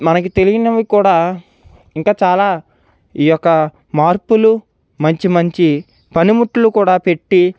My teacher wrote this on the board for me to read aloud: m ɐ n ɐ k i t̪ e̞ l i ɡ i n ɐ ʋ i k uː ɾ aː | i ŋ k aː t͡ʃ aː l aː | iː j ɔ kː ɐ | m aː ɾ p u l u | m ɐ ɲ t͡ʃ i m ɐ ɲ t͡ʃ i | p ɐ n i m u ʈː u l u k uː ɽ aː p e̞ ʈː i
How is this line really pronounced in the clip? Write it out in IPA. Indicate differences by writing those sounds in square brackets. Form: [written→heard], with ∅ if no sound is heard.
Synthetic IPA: m ɐ n ɐ k i t̪ e̞ l i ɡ i n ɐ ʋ i k uː [ɾ→ɽ] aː | i ŋ k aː t͡ʃ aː l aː | iː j ɔ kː ɐ | m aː ɾ p u l u | m ɐ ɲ t͡ʃ i m ɐ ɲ t͡ʃ i | p ɐ n i m u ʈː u l u k uː ɽ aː p e̞ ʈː i